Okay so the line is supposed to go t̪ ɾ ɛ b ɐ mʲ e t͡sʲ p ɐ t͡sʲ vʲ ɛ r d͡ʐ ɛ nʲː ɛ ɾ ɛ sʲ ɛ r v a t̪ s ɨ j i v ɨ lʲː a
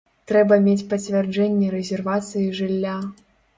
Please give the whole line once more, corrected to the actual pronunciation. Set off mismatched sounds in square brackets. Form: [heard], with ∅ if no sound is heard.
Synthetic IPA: t̪ ɾ ɛ b ɐ mʲ e t͡sʲ p ɐ t͡sʲ vʲ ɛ r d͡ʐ ɛ nʲː ɛ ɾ ɛ [zʲ] ɛ r v a t̪ s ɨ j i [ʐ] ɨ lʲː a